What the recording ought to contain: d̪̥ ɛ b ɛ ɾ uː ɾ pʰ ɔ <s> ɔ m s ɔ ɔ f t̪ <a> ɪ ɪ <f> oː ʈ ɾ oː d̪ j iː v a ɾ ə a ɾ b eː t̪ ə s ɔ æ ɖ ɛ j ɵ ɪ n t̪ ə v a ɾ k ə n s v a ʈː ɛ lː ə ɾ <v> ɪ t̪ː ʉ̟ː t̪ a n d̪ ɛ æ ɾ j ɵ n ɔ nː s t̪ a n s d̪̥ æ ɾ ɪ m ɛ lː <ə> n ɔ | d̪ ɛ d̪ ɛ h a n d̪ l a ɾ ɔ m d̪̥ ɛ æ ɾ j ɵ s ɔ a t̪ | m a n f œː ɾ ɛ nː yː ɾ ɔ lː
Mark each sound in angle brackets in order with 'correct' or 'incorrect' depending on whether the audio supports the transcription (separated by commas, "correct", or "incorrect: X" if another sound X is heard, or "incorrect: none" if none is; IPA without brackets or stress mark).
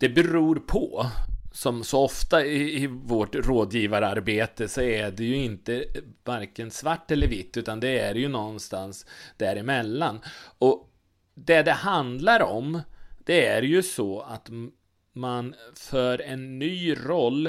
correct, correct, incorrect: v, correct, incorrect: a